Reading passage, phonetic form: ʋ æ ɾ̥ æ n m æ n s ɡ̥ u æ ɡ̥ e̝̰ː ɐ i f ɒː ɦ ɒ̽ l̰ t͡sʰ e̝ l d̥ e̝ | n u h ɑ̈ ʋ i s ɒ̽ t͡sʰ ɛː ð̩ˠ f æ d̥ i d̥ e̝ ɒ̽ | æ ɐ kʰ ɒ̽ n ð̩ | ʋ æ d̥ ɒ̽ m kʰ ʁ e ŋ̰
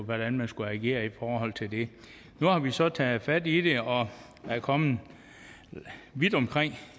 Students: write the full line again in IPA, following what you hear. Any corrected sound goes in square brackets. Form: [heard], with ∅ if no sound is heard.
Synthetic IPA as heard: ʋ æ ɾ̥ æ n m æ n s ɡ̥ u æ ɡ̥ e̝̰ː ɐ i f ɒː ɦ ɒ̽ l̰ t͡sʰ e̝ l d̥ e̝ | n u h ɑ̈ ʋ i s ɒ̽ t͡sʰ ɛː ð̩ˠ f æ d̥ i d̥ e̝ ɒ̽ | æ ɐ kʰ ɒ̽ [m] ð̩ | ʋ [i] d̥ ɒ̽ m kʰ ʁ e ŋ̰